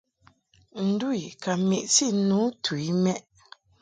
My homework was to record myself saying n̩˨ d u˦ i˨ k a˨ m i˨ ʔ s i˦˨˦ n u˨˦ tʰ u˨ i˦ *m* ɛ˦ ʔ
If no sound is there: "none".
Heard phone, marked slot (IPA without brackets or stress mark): m